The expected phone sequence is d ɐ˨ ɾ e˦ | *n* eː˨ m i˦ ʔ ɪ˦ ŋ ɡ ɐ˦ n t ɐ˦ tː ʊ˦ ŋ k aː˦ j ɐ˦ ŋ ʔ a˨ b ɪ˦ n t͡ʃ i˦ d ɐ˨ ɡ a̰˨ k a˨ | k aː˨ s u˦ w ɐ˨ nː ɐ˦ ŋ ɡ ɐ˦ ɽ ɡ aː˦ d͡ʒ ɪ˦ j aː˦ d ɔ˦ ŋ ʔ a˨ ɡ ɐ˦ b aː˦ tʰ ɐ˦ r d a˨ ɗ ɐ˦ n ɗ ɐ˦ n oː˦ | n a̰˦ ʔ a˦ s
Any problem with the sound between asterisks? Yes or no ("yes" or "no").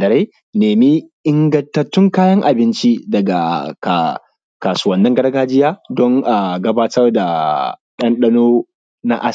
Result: no